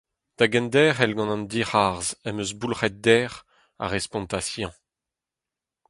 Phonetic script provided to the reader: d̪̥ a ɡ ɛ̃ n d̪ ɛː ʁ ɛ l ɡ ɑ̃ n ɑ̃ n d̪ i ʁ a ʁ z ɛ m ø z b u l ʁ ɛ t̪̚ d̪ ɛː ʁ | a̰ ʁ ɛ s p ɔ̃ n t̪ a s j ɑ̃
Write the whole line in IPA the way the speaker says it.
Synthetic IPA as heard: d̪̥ a ɡ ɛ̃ n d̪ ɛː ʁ ɛ l ɡ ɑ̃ n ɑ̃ n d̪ i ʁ a ʁ z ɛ m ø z b u l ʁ ɛ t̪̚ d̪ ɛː ʁ | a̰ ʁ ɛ s p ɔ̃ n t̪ a s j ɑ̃